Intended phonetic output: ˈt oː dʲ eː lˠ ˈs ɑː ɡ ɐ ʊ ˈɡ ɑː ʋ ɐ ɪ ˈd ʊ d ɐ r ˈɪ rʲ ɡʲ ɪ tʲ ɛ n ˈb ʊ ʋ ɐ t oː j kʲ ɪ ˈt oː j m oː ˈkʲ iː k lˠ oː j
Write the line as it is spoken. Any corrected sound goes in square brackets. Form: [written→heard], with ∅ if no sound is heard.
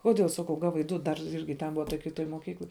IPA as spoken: [ˈt→ˈk] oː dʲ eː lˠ ˈs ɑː [ɡ→k] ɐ ʊ ˈɡ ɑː ʋ ɐ ɪ ˈd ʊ d ɐ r ˈɪ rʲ ɡʲ ɪ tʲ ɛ n ˈb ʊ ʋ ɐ t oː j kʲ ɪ ˈt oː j m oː ˈkʲ iː k lˠ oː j